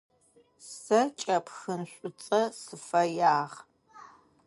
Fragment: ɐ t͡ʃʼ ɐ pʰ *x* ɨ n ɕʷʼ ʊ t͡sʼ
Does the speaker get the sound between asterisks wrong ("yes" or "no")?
no